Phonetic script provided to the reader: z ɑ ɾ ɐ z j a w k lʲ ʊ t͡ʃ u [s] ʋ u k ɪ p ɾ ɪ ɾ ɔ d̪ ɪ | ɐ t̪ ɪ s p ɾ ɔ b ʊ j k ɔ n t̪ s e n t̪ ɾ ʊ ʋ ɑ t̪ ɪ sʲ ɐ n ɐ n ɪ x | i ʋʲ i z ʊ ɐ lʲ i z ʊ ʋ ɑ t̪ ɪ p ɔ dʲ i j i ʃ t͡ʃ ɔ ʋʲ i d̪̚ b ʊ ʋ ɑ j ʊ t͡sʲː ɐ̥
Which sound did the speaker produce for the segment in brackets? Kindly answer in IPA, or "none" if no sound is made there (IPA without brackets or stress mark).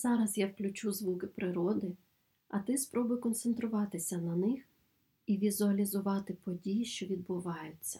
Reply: z